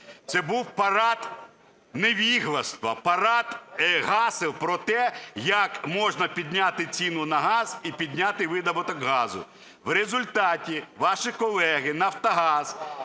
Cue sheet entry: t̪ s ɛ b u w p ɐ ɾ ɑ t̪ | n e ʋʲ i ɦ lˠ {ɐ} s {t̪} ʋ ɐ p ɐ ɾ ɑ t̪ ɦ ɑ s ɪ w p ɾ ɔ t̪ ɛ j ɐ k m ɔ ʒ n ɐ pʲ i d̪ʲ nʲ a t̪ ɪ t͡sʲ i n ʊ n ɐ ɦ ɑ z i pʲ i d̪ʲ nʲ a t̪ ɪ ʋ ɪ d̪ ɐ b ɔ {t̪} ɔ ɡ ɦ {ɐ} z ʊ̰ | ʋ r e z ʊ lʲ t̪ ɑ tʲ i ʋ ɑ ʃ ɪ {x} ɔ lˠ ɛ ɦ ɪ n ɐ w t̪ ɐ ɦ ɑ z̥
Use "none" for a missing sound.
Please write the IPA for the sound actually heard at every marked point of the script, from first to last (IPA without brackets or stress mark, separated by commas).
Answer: ɐ, t̪, t̪, ɑ, k